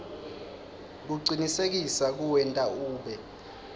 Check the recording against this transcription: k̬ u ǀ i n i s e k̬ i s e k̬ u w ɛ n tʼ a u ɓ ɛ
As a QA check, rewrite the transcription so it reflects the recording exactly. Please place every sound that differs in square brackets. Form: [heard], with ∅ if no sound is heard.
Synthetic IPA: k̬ u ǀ i n i s e k̬ i s [a] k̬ u w ɛ n tʼ a [uː] ɓ ɛ